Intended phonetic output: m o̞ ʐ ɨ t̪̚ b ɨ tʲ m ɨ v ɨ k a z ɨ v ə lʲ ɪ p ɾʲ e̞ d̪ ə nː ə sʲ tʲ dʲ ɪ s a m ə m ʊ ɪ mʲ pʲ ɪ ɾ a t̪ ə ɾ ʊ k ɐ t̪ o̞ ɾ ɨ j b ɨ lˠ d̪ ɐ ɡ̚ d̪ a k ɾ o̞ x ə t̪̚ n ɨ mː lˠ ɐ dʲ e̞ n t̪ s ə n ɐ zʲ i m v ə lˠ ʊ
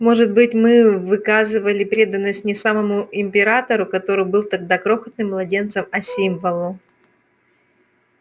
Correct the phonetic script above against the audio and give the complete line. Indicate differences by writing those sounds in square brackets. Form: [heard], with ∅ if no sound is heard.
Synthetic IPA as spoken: m o̞ ʐ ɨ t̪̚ b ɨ tʲ m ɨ v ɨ k a z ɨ v ə lʲ ɪ p ɾʲ e̞ d̪ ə nː ə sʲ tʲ [nʲ] ɪ s a m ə m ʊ ɪ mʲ pʲ ɪ ɾ a t̪ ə ɾ ʊ k ɐ t̪ o̞ ɾ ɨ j b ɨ lˠ [t̪] ɐ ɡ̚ d̪ a k ɾ o̞ x ə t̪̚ n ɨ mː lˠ ɐ dʲ e̞ n t̪ s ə [m] ɐ [sʲ] i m v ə lˠ ʊ